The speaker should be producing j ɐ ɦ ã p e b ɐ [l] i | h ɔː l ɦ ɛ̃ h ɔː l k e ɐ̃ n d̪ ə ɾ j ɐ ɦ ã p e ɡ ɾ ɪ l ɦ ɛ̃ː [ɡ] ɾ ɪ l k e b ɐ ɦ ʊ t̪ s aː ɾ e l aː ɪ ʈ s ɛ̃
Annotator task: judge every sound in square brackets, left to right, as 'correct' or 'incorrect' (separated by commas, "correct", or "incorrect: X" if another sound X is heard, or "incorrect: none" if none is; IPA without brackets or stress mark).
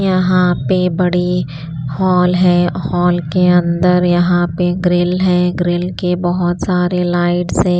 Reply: incorrect: ɽ, correct